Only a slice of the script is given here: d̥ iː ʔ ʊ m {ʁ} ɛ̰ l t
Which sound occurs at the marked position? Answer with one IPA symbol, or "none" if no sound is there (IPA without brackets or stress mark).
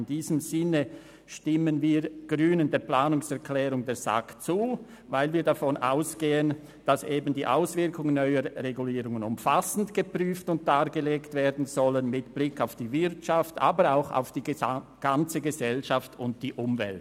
v